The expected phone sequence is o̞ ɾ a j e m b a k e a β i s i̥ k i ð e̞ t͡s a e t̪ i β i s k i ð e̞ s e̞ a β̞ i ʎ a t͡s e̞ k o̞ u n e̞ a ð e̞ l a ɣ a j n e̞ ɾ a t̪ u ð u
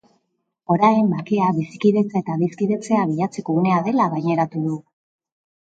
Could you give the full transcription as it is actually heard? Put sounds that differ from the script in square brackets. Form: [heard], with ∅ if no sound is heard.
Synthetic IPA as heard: o̞ ɾ a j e m b a k e a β i s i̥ k i ð e̞ t͡s a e t̪ [a] β i s k i ð e̞ [t͡s] e̞ a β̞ i ʎ a t͡s e̞ k o̞ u n e̞ a ð e̞ l a ɣ a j [ɲ] e̞ ɾ a t̪ u ð u